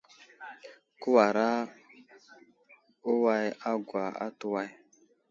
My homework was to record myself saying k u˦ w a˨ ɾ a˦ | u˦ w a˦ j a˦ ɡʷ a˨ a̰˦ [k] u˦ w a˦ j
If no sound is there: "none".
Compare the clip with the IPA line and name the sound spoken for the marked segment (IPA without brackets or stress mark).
t